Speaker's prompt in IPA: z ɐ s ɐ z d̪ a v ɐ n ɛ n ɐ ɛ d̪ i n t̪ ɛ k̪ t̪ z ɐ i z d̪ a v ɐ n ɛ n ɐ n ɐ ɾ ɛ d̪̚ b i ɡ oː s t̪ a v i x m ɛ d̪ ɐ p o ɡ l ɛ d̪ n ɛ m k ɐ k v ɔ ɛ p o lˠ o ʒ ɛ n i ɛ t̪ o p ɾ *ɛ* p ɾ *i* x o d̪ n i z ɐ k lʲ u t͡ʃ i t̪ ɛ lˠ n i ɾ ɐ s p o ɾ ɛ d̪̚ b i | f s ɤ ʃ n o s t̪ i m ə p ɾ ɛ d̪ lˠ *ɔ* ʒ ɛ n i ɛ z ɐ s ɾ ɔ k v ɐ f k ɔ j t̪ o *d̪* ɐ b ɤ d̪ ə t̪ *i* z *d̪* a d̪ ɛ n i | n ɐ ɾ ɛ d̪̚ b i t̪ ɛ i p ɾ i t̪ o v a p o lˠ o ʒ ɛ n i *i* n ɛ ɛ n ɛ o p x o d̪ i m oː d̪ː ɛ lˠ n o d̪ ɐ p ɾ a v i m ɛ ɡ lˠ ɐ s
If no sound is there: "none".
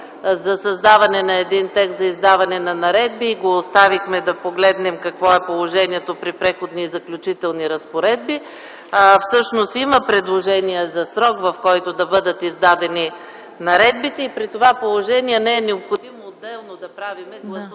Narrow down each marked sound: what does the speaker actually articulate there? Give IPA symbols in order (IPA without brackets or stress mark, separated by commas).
i, ɛ, o, d̪, i, d̪, ɛ